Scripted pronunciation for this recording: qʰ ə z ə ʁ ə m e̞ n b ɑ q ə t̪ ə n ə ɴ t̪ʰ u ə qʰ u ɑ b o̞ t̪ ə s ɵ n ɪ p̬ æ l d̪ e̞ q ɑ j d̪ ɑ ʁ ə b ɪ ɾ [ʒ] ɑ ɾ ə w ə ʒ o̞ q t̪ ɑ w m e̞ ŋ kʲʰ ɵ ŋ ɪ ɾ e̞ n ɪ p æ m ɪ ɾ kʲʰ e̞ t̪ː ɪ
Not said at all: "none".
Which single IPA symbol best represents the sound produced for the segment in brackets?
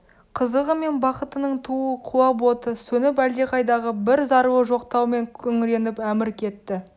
z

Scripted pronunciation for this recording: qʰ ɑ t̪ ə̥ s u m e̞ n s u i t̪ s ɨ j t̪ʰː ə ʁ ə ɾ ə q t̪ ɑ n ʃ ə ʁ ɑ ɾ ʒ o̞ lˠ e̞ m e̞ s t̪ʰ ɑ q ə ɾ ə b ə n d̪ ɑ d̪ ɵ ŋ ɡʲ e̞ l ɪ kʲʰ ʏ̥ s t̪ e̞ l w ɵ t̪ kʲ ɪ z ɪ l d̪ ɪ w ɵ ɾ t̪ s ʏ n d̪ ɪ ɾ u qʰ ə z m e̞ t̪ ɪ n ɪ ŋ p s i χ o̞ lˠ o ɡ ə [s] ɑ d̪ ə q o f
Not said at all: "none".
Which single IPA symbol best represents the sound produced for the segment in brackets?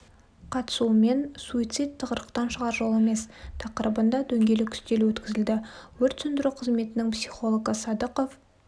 s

